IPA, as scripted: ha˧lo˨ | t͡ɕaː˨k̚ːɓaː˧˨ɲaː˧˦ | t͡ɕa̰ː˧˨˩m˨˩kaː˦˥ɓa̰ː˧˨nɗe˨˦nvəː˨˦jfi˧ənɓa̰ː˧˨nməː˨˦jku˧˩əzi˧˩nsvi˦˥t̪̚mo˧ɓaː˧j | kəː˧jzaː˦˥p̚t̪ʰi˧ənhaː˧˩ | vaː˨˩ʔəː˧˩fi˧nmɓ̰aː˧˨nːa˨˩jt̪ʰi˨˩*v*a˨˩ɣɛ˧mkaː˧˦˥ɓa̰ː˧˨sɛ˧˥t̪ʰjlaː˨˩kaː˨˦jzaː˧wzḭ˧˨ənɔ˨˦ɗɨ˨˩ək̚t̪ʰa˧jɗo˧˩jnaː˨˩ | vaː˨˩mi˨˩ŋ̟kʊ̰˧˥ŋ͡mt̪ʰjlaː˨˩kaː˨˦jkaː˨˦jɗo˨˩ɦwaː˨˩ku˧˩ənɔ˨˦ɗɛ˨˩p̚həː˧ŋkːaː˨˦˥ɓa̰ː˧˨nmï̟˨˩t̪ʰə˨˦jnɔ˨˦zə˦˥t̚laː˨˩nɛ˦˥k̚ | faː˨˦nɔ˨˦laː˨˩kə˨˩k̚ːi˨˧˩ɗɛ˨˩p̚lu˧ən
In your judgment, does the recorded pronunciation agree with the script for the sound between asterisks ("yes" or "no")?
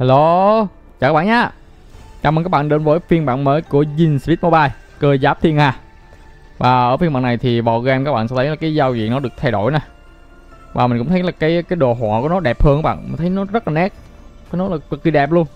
yes